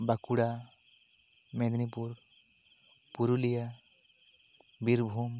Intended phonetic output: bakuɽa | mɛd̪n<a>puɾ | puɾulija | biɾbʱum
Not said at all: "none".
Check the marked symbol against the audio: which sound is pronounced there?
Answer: i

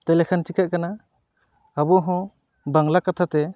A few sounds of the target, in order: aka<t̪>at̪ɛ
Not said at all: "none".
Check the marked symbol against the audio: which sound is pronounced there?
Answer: t̪ʰ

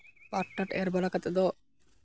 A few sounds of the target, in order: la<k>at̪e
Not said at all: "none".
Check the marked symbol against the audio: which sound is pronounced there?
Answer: k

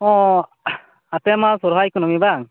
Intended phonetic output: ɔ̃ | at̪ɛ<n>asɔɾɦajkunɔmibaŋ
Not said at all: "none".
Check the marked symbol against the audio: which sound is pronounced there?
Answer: m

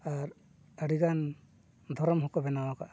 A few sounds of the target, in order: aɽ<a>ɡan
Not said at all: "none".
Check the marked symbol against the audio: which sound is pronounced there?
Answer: i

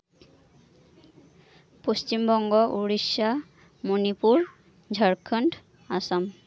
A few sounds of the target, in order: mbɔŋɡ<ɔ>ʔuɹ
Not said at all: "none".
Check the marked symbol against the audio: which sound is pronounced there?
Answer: ɔ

